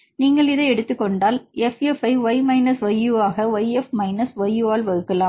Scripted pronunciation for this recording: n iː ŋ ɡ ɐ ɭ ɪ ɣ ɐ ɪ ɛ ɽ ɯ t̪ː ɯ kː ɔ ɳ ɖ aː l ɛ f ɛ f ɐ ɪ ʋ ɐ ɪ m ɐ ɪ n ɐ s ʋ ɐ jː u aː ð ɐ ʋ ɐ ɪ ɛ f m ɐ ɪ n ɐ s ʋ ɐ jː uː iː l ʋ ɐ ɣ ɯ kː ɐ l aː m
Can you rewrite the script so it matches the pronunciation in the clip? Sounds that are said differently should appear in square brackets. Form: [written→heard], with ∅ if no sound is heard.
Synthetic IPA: n iː ŋ ɡ ɐ ɭ ɪ [ɣ→ð] ɐ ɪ ɛ ɽ ɯ t̪ː ɯ kː ɔ ɳ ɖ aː l ɛ f ɛ f ɐ ɪ ʋ ɐ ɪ m ɐ ɪ n ɐ s ʋ ɐ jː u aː [ð→ɣ] ɐ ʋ ɐ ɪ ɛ f m ɐ ɪ n ɐ s ʋ ɐ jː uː [iː→aː] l ʋ ɐ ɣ ɯ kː ɐ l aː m